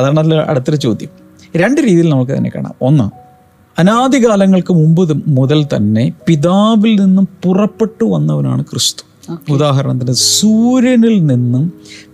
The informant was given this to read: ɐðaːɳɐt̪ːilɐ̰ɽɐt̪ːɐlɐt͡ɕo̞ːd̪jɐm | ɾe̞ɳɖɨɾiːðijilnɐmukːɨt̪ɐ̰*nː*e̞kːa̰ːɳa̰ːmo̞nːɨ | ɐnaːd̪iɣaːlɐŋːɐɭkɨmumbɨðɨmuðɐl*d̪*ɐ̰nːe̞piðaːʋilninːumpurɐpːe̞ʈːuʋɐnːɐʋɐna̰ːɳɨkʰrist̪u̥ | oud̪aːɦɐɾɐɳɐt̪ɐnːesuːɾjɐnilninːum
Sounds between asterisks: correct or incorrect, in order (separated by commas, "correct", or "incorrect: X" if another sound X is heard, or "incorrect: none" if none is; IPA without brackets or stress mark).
correct, incorrect: t̪